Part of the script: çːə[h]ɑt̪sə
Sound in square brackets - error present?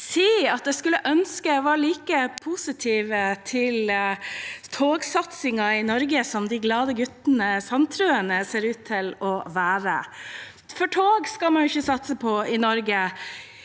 yes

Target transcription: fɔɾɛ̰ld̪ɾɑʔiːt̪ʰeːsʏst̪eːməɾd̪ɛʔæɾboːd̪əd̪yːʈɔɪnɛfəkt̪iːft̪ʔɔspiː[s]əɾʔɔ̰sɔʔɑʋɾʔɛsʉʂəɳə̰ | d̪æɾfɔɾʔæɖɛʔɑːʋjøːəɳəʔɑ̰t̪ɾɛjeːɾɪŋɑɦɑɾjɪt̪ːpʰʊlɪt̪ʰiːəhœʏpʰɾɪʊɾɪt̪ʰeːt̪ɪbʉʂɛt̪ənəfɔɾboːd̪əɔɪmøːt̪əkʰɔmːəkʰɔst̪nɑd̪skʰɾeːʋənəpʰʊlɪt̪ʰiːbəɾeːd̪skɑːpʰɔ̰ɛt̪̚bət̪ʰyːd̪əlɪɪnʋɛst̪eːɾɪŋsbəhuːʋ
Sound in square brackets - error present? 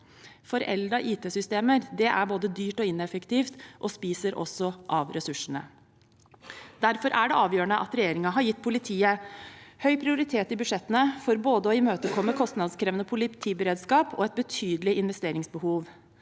no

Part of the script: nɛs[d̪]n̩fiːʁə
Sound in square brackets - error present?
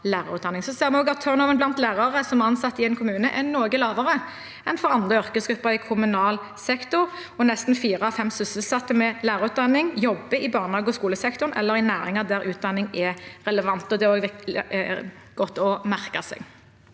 yes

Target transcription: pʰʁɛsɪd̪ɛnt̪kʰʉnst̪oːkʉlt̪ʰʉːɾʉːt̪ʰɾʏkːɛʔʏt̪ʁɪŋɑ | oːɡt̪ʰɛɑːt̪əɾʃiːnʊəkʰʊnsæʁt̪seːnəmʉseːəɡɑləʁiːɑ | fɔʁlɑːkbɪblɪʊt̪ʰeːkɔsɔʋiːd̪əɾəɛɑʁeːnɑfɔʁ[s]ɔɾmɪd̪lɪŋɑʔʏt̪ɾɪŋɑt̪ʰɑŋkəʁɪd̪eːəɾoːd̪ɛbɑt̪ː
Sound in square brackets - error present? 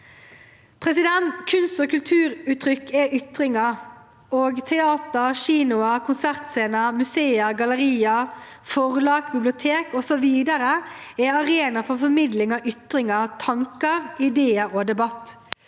yes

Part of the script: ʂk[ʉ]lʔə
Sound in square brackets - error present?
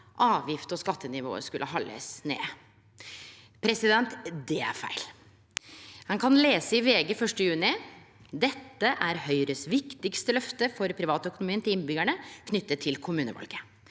no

